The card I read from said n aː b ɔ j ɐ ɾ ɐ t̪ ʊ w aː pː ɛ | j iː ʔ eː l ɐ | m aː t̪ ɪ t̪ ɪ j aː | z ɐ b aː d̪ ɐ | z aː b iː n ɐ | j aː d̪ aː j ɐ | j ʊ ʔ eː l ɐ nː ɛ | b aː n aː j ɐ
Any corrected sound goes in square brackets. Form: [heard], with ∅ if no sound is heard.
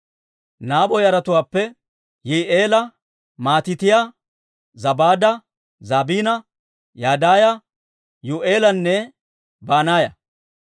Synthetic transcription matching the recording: n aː b ɔ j ɐ ɾ ɐ t̪ ʊ w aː pː ɛ | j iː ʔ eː l ɐ | m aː t̪ ɪ t̪ ɪ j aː | z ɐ b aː d̪ ɐ | z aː b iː n ɐ | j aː d̪ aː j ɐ | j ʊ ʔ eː l ɐ nː ɛ | b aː n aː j ɐ